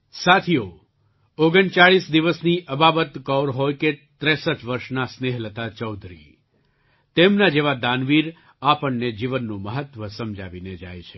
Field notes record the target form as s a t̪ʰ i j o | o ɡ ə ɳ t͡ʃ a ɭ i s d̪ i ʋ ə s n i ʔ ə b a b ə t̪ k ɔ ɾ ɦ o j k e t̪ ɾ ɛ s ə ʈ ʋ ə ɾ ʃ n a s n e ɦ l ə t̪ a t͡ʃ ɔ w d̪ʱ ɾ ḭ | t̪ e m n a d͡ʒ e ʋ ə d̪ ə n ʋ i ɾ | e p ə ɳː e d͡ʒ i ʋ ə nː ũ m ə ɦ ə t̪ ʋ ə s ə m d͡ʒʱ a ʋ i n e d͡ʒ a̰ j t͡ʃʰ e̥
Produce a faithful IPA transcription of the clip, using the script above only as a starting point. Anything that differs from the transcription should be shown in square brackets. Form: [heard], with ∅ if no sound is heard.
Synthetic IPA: s a t̪ʰ i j o | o ɡ ə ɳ t͡ʃ a ɭ i s d̪ i ʋ ə s n i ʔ ə b a b ə t̪ k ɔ ɾ ɦ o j k e t̪ ɾ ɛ s ə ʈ ʋ ə ɾ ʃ n a s n e ɦ l ə t̪ a t͡ʃ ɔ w d̪ʱ ɾ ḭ | t̪ e m n a d͡ʒ e ʋ [a] d̪ [a] n ʋ i ɾ | [a] p ə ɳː e d͡ʒ i ʋ ə nː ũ m ə ɦ ə t̪ ʋ ə s ə m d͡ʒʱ a ʋ i n e d͡ʒ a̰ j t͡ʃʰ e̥